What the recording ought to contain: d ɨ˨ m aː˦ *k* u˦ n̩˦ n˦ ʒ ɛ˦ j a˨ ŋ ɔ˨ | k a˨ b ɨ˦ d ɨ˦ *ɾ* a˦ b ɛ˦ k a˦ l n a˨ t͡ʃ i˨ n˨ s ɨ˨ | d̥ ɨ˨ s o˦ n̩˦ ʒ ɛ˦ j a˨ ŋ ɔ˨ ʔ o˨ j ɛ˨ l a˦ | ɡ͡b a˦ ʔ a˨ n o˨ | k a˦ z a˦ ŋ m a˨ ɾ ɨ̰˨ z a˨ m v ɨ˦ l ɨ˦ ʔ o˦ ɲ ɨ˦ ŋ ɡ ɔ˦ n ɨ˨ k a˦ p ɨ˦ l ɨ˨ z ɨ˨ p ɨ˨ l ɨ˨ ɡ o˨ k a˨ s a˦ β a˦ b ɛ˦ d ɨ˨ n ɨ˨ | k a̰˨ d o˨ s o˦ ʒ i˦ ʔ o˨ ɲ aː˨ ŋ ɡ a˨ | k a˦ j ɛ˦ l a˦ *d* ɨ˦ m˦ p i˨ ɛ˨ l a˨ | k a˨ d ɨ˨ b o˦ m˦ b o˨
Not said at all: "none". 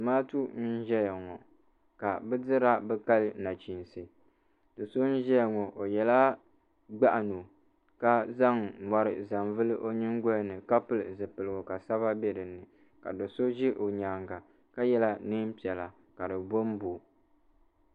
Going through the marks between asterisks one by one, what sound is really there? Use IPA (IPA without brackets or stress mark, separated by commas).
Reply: t, ɾ, n